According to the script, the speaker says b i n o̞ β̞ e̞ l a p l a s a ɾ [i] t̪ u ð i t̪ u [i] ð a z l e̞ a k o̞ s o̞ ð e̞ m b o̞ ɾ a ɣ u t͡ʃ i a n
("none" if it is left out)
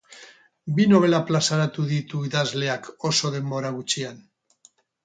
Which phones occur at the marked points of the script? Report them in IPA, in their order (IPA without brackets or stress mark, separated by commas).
a, i